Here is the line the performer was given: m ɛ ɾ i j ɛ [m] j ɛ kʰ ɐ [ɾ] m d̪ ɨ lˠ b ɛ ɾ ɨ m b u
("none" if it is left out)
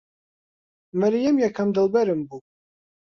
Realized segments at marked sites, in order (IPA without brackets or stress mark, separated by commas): m, none